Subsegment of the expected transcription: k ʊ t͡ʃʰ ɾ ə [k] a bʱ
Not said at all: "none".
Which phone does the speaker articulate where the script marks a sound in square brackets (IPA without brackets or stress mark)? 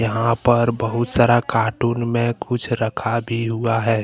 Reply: kʰ